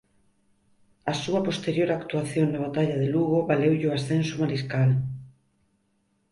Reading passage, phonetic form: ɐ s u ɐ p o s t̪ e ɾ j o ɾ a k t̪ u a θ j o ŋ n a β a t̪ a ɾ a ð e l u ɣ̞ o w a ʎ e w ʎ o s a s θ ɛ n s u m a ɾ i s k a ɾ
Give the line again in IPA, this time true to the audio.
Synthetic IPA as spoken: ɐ s u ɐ p o s t̪ e ɾ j o ɾ a k t̪ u a θ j o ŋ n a β a t̪ a ʎ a ð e l u ɣ̞ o β a l e w ʎ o a s θ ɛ n s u m a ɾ i s k a l